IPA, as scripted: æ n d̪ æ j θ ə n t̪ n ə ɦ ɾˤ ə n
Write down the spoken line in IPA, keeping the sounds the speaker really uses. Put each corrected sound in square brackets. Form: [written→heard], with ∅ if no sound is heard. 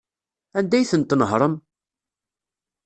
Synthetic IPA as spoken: æ n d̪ æ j θ ə n t̪ n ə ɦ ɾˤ ə [n→m]